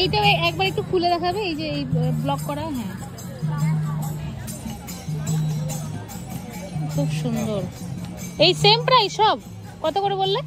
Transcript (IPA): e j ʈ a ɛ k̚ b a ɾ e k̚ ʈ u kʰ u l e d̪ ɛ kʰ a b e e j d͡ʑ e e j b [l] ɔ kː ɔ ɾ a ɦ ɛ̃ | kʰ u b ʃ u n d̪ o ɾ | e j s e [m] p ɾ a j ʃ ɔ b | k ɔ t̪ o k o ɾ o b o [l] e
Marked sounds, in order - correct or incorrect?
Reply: correct, correct, incorrect: lː

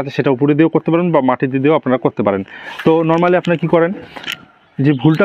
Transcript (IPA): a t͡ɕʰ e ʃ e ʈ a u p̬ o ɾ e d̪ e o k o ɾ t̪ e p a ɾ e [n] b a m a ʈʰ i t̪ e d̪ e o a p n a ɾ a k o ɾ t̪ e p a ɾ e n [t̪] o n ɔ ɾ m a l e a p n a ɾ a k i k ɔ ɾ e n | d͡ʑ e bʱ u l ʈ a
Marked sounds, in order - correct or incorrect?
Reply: correct, correct

